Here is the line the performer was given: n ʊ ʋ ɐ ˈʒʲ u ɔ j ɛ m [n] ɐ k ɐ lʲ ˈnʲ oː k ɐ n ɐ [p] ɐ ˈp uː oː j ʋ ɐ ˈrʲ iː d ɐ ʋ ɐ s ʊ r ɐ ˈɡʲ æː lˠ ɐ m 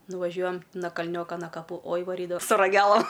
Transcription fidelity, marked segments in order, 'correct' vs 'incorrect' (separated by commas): correct, incorrect